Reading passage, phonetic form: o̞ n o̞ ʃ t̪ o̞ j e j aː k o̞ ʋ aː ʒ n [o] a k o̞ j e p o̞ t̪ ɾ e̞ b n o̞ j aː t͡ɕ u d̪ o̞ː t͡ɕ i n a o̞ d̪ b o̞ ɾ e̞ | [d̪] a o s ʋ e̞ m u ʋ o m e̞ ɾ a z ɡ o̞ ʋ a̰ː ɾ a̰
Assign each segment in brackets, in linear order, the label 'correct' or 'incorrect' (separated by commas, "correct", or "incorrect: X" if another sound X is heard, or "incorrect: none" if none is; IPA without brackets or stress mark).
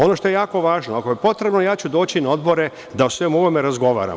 correct, correct